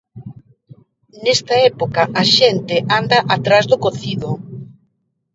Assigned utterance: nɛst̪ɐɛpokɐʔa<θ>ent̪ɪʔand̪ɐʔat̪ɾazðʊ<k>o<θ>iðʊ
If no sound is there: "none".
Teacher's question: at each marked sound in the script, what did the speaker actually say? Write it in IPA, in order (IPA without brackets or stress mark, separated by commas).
ʃ, k, θ